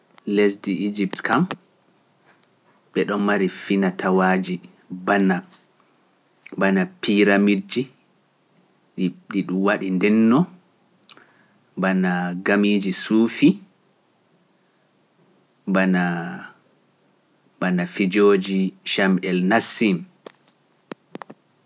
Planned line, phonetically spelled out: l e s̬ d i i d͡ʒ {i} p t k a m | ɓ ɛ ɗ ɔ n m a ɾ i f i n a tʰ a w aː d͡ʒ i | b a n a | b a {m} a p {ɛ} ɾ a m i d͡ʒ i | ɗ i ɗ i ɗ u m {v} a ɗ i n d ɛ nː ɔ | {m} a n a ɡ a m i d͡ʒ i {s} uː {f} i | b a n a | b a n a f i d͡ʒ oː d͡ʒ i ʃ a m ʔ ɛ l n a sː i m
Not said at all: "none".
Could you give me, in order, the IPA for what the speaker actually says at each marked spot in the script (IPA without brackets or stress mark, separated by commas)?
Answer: i, n, i, w, b, s, f